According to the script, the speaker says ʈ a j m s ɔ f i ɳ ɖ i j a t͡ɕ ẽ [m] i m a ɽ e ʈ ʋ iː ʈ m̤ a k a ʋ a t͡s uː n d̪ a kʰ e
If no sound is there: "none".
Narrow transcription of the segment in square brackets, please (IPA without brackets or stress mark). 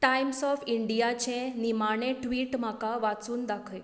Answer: n